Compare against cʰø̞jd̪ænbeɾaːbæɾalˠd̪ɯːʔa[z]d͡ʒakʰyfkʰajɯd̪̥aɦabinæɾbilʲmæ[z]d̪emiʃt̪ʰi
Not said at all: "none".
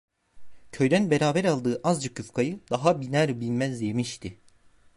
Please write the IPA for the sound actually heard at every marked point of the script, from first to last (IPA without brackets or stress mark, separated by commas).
z, z